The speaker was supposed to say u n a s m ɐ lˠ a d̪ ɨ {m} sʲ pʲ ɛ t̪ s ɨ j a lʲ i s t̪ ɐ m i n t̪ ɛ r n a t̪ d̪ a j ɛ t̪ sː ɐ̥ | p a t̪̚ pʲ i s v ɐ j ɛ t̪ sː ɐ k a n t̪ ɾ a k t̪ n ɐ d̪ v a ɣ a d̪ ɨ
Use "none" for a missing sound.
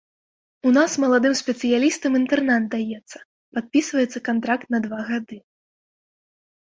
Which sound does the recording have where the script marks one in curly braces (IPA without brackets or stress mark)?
m